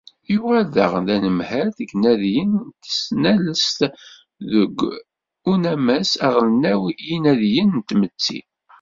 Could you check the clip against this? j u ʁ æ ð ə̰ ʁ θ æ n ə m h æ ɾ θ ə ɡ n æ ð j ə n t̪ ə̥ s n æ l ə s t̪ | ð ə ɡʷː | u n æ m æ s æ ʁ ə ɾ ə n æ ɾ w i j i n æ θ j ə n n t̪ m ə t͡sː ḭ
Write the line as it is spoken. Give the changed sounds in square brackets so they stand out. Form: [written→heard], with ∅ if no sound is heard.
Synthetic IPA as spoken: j u ʁ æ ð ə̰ ʁ [θ→ð] æ n ə m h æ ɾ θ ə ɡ n æ ð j ə n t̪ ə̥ s n æ l ə s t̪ | ð ə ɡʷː | u n æ m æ s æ ʁ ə [ɾ→l] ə n æ [ɾ→∅] w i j i n æ [θ→ð] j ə n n t̪ m ə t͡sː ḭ